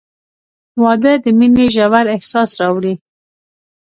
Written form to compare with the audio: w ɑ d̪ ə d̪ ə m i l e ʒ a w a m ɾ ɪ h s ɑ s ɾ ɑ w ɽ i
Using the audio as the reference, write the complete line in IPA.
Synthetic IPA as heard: w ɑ d̪ ə d̪ ə m i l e ʒ a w a ɾ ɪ h s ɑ s ɾ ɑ w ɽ i